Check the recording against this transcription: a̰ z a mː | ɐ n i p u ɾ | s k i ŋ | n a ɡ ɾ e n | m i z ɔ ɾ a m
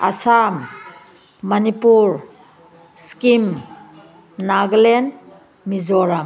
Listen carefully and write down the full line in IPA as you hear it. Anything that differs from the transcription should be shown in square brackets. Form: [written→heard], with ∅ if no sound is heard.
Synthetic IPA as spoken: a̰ [z→s] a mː | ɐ n i p u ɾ | s k i [ŋ→m] | n a ɡ [ɾ→l] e n | m i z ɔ ɾ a m